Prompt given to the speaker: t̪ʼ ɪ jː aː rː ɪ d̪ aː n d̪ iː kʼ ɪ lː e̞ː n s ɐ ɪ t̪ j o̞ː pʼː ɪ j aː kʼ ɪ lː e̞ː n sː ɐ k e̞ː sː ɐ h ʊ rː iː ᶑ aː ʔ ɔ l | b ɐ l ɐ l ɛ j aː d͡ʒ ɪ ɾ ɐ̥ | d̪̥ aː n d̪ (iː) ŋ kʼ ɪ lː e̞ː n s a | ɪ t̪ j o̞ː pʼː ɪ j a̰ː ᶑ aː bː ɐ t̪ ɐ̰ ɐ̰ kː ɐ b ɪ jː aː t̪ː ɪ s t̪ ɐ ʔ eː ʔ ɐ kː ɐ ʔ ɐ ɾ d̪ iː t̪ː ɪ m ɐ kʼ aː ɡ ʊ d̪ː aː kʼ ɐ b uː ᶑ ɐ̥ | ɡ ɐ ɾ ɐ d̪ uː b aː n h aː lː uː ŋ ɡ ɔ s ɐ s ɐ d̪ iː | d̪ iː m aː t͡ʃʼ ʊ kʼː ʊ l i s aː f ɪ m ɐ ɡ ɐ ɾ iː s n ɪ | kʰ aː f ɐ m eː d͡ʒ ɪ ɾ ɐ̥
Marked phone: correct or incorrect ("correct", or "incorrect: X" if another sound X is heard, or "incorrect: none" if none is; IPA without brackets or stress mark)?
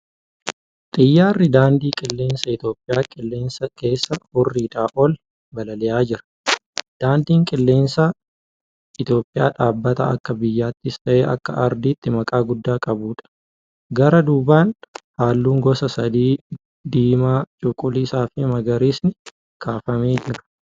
correct